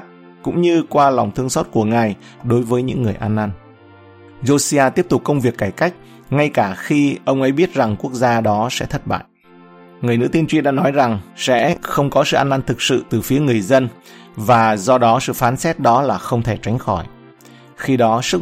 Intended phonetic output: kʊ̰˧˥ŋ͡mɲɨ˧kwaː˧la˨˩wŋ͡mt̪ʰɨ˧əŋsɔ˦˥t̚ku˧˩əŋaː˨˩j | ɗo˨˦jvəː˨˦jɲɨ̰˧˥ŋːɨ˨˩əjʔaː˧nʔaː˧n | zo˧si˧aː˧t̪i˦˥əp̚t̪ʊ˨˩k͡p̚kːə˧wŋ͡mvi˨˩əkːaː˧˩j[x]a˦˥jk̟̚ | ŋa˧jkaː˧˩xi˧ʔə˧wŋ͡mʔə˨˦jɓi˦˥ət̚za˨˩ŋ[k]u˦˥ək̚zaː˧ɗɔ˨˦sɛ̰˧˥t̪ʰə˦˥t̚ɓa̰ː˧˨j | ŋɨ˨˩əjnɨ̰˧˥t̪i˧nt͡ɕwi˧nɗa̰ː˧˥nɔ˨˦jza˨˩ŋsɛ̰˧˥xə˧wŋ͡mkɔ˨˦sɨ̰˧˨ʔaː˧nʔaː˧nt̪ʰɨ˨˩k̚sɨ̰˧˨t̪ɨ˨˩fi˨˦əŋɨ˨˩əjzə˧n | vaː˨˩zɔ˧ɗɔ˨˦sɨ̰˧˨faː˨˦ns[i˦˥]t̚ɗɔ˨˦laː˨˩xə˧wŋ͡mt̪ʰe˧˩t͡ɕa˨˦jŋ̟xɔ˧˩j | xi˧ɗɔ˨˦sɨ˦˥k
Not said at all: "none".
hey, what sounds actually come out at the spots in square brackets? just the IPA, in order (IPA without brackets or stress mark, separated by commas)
k, k, ɛ˦˥